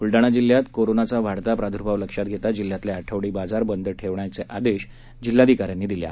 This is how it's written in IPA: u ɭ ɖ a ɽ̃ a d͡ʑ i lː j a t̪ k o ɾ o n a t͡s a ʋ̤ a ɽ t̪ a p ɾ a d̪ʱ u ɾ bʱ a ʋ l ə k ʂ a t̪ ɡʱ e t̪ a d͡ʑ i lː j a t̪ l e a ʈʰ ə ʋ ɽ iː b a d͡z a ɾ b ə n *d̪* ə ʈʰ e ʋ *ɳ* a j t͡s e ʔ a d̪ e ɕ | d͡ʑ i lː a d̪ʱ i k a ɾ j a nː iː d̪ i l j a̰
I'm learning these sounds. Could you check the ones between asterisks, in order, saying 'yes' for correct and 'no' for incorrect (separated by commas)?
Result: yes, yes